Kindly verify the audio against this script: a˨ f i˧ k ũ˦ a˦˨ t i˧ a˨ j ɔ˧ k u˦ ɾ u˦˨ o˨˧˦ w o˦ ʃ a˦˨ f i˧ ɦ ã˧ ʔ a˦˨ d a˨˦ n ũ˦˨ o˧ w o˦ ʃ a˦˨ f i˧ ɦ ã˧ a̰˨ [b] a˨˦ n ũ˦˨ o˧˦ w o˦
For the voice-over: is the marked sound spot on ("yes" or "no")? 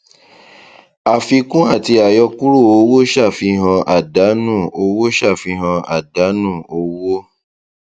no